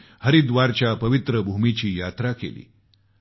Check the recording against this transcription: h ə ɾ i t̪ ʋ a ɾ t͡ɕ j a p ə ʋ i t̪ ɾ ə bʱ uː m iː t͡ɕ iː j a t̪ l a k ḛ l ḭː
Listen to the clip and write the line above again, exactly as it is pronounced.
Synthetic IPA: h ə ɾ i d̪ ʋ a ɾ t͡ɕ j a p ə ʋ i t̪ ɾ ə bʱ u m i t͡ɕ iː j a t̪ ɾ a k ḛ l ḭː